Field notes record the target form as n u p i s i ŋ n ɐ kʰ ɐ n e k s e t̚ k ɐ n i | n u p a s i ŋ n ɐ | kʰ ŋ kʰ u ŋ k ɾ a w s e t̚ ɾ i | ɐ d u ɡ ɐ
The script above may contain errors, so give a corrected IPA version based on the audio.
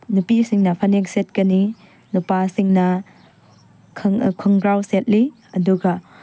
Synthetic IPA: n u p i s i ŋ n ɐ pʰ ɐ n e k s e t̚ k ɐ n i | n u p a s i ŋ n ɐ | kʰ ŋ kʰ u ŋ ɡ ɾ a w s e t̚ l i | ɐ d u ɡ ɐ